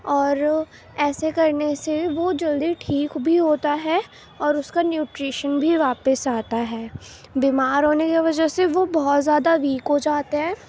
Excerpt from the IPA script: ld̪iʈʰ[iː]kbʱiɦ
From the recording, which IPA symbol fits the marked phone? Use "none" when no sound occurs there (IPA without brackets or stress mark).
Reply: iː